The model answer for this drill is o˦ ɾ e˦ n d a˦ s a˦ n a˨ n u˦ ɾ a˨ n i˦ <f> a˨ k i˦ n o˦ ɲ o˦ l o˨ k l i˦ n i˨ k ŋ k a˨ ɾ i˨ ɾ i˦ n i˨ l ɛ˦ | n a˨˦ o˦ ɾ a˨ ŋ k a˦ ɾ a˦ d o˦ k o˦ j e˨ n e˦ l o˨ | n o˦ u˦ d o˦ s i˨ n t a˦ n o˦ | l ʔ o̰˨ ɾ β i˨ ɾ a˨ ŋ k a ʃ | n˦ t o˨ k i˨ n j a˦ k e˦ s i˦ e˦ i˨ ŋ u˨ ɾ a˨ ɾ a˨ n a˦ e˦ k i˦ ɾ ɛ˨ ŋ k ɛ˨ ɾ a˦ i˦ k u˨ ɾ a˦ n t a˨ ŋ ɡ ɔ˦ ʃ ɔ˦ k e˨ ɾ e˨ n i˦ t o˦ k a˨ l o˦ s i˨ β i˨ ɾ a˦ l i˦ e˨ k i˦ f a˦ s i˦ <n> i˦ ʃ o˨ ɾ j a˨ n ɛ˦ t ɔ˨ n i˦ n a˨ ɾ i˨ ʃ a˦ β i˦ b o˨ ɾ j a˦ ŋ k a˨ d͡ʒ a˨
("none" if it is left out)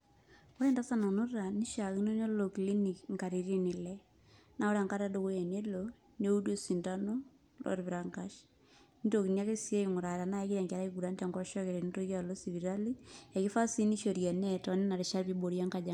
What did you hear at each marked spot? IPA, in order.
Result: ʃ, n

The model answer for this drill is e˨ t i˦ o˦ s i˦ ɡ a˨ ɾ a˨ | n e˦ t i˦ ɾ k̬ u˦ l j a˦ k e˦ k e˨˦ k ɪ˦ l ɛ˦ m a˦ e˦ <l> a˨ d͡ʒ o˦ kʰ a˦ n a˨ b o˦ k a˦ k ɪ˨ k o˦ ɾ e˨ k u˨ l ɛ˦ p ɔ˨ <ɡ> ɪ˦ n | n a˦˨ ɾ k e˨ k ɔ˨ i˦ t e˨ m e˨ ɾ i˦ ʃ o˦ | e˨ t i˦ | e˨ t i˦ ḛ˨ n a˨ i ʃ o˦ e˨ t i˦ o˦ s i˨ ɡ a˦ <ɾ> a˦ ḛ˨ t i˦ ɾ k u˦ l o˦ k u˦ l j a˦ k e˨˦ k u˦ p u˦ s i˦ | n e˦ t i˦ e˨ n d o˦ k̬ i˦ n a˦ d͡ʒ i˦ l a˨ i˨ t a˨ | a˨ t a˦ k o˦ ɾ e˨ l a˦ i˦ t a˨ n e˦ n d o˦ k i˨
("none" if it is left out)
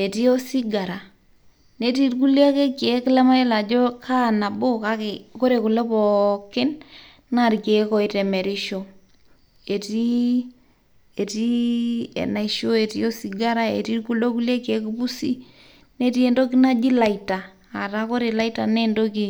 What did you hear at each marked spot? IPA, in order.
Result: l, k, ɾ

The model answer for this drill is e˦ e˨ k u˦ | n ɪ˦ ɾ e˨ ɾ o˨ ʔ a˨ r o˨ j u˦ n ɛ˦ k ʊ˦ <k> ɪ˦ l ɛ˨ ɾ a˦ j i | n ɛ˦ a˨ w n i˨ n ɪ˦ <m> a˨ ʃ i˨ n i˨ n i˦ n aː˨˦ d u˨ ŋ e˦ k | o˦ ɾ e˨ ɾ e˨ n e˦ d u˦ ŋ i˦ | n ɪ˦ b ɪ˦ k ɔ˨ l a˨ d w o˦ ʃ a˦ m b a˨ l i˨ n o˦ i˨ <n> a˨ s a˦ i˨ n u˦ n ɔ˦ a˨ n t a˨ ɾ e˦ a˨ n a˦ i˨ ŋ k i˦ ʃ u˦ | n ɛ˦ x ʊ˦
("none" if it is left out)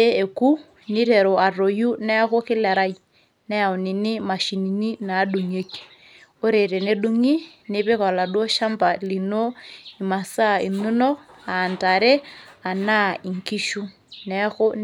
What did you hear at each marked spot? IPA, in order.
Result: k, m, m

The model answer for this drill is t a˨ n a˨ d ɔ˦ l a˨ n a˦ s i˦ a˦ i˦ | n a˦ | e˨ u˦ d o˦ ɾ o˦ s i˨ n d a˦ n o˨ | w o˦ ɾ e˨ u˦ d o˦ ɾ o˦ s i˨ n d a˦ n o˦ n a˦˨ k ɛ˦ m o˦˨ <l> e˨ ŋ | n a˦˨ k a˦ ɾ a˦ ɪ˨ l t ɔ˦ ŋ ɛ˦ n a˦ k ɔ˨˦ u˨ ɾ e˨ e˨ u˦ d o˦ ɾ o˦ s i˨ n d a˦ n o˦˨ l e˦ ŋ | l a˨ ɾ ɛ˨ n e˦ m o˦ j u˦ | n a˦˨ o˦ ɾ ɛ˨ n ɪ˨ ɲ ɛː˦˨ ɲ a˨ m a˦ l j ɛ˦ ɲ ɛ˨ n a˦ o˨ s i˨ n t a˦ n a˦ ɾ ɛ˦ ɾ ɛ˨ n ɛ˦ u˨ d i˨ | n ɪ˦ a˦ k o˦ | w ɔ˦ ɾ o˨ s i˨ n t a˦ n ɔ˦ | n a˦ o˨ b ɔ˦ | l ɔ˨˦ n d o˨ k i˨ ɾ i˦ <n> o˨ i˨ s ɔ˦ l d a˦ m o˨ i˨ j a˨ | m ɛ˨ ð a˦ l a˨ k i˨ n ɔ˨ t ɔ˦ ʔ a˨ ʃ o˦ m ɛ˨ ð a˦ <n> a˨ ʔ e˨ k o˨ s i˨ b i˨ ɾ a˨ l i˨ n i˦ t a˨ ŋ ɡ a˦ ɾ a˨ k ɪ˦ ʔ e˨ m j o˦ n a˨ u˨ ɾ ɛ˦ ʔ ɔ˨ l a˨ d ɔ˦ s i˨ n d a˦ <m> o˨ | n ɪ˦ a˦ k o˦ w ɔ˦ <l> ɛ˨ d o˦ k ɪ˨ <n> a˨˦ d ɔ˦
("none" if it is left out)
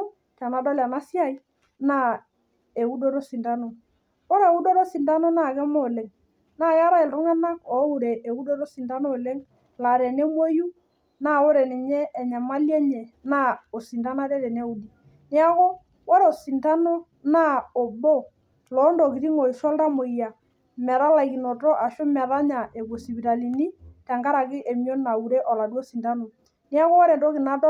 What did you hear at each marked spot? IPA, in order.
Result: l, ŋ, ɲ, n, ɾ, n

